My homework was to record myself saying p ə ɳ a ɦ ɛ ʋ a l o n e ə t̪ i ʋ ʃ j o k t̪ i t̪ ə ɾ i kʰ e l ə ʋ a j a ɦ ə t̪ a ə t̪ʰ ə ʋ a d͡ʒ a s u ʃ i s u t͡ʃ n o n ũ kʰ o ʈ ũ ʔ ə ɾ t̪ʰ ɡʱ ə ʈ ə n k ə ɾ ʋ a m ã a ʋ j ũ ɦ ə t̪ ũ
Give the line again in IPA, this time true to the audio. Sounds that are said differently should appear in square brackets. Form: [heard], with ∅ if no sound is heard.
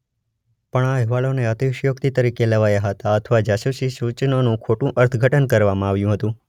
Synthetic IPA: p ə ɳ a ɦ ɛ ʋ a l o n e ə t̪ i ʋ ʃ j o k t̪ i t̪ ə ɾ i [k] e l ə ʋ a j a ɦ ə t̪ a ə t̪ʰ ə ʋ a d͡ʒ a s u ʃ i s u t͡ʃ n o n ũ kʰ o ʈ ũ ʔ ə ɾ t̪ʰ ɡʱ ə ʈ ə n k ə ɾ ʋ a m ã a ʋ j ũ ɦ ə t̪ ũ